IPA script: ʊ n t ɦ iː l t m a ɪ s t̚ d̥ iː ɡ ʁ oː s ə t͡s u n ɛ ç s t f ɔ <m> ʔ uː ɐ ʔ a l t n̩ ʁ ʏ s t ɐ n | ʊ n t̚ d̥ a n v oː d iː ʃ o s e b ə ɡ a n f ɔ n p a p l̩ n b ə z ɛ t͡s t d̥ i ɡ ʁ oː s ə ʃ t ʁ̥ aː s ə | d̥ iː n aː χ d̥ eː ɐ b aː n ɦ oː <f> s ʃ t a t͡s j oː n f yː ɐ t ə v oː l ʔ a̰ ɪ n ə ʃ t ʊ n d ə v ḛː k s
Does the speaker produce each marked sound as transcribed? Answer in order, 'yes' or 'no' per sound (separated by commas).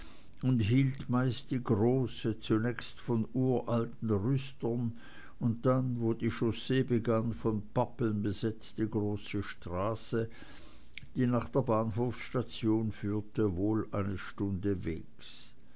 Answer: no, yes